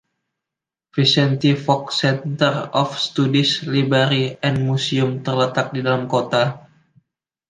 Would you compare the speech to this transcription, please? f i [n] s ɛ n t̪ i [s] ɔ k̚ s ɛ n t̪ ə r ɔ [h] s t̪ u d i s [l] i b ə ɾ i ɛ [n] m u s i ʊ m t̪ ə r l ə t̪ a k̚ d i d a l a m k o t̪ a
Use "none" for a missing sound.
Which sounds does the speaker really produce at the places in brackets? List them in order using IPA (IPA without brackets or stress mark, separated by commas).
none, f, f, l, n